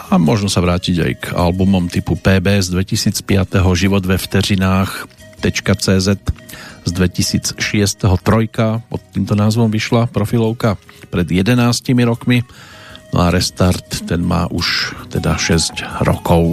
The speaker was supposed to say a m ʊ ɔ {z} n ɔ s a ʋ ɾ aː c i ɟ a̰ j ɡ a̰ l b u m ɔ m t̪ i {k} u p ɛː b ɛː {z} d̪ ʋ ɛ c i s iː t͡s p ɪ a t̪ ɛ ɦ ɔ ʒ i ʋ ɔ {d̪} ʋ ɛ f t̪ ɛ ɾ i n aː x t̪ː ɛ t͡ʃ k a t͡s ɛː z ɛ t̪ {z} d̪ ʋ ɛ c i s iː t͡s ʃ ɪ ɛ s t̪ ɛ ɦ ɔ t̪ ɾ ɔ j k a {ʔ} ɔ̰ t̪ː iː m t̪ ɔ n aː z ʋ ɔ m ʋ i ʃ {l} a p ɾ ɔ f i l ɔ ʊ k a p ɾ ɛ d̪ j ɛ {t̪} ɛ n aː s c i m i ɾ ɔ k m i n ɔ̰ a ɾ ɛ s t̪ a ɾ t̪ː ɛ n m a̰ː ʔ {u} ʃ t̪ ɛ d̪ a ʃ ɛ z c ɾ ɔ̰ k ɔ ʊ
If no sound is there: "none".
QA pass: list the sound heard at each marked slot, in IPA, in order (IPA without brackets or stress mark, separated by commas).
ʒ, p, z, d̪, z, p, l, d̪, u